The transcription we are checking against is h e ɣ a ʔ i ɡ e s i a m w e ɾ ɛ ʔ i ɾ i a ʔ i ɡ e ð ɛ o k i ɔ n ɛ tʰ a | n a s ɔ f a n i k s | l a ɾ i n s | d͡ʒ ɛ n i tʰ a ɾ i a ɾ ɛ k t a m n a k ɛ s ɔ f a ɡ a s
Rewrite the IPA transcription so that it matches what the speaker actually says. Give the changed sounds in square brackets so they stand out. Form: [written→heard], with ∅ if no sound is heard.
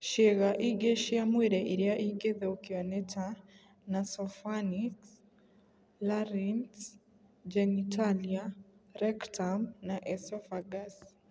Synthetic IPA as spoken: [h→ʃ] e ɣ a ʔ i ɡ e [s→ʃ] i a m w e ɾ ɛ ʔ i ɾ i a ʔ i ɡ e ð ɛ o k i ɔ n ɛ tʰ a | n a s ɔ f a n i k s | l a ɾ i n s | d͡ʒ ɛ n i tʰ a [ɾ→l] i a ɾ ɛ k t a m n a [k→ʔ] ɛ s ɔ f a ɡ a s

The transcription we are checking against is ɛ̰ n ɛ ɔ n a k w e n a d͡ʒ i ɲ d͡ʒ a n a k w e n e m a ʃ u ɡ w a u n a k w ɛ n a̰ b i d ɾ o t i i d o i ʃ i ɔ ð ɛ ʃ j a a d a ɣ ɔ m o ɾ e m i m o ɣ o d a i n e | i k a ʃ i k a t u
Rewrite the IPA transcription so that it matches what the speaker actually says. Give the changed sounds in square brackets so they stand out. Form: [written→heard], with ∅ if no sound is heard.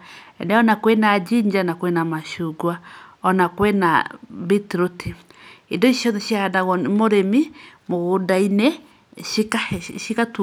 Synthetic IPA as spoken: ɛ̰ n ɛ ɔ n a k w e n a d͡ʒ i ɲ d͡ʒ a n a k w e n [e→a] m a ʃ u ɡ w a [u→ɔ] n a k w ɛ n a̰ b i [d→t] ɾ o t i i d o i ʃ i ɔ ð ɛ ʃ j a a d a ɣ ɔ m o ɾ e m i m o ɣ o d a i n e | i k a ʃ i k a t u

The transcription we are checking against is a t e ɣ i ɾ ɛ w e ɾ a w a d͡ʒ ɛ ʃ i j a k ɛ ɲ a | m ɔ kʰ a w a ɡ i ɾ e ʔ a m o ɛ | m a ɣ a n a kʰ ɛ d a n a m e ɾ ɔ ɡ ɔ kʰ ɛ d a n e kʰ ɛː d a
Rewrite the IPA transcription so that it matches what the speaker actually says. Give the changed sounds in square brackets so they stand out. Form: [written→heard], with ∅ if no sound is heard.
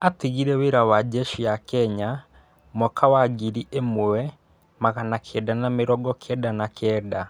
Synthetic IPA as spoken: a t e ɣ i ɾ ɛ w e ɾ a w a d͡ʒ ɛ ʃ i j a k ɛ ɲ a | m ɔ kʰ a w a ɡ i ɾ [e→i] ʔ [a→e] m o ɛ | m a ɣ a n a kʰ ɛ d a n a m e ɾ ɔ ɡ ɔ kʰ ɛ d a n [e→a] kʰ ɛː d a

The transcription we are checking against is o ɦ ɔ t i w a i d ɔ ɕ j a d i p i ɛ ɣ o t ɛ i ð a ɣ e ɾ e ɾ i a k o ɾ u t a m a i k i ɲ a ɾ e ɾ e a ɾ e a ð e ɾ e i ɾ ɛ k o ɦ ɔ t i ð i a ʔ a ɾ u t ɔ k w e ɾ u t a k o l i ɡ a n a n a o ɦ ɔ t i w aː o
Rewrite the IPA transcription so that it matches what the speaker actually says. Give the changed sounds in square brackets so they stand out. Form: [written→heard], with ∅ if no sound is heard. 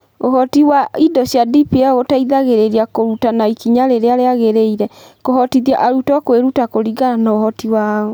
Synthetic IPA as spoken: o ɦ ɔ t i w a i d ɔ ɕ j a d i p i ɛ ɣ o t [ɛ→a] i ð a ɣ e ɾ e ɾ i a k o ɾ u t a [m→n] a i k i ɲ a ɾ e ɾ e a ɾ e a [ð→ɣ] e ɾ e i ɾ ɛ k o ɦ ɔ t i ð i a ʔ a ɾ u t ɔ k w e ɾ u t a k o [l→ɾ] i ɡ a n a n a o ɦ ɔ t i w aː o

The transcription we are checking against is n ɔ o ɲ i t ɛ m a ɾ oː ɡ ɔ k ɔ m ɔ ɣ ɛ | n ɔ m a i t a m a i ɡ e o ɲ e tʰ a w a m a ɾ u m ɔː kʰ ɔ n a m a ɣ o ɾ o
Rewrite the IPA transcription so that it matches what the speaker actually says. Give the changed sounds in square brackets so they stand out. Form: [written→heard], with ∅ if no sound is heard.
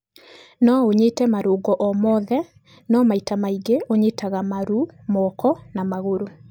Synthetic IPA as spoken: n ɔ o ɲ [i→e] t ɛ m a ɾ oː ɡ ɔ [k→ʔ] ɔ m ɔ [ɣ→ð] ɛ | n ɔ m a i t a m a i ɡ e o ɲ e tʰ a [w→ɣ] a m a ɾ u m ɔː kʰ ɔ n a m a ɣ o ɾ o

